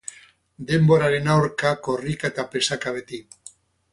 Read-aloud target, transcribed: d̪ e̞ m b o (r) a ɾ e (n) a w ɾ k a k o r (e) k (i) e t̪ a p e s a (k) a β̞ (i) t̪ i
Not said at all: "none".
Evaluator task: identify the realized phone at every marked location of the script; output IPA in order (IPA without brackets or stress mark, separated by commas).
ɾ, n, i, a, k, e